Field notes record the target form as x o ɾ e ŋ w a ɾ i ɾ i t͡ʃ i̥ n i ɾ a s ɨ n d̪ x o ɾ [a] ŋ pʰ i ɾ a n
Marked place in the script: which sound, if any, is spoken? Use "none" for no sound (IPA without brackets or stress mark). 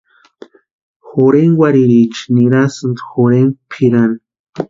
e